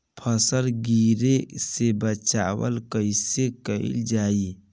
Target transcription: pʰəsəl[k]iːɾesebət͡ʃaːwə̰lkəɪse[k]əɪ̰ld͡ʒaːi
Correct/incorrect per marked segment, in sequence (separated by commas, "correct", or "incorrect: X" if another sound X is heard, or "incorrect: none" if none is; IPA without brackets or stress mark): incorrect: ɡ, correct